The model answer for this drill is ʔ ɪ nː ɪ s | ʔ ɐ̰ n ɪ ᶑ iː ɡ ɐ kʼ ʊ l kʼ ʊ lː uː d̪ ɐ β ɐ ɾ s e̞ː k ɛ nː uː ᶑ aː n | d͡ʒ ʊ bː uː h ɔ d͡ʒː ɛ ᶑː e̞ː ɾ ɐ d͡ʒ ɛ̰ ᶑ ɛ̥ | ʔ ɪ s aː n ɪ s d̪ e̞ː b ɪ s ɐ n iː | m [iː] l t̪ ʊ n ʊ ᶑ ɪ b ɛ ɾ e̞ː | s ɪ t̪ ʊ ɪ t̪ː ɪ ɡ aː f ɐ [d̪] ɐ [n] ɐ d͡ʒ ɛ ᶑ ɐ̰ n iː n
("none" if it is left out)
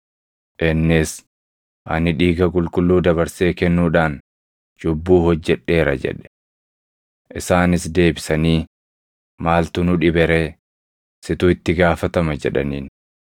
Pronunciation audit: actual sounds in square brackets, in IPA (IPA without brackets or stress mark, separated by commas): aː, t̪, m